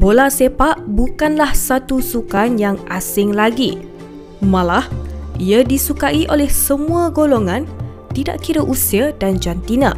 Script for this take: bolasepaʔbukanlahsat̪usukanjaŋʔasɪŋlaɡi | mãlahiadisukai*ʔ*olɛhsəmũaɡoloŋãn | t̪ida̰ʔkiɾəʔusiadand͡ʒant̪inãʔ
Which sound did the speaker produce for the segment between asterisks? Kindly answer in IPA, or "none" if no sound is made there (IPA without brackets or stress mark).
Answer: ʔ